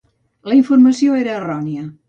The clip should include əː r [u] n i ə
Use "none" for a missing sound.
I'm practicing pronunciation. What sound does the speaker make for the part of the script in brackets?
ɔ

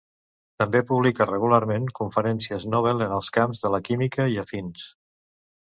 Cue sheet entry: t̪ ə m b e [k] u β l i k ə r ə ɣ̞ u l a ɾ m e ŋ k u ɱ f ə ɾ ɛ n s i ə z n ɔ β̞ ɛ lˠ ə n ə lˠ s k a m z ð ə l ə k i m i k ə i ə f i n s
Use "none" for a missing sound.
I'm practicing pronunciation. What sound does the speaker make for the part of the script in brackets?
p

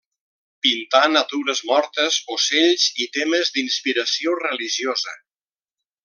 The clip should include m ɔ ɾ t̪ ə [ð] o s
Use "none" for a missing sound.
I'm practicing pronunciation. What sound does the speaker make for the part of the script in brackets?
z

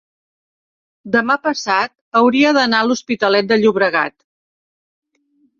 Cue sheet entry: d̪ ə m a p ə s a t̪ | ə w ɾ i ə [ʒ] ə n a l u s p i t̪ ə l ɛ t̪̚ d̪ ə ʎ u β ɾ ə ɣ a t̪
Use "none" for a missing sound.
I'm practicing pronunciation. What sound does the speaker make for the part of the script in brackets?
ð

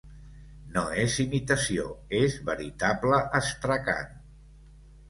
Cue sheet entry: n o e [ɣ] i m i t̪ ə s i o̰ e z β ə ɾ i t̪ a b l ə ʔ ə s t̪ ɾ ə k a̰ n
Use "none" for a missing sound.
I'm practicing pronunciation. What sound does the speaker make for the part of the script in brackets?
z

